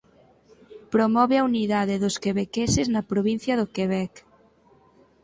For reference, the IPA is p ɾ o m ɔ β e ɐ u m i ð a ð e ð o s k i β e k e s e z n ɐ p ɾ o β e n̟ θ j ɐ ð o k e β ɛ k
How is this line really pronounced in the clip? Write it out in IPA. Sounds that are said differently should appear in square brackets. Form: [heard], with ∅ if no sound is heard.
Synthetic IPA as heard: p ɾ o m ɔ β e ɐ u [n] i ð a ð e ð o s k [e] β e k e s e z n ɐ p ɾ o β [i] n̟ θ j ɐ ð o k e β ɛ k